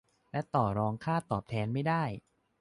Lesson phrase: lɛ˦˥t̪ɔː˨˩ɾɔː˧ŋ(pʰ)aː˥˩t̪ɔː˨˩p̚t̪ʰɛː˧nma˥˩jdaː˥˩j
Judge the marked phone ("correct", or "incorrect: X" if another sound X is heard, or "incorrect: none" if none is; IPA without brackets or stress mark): incorrect: kʰ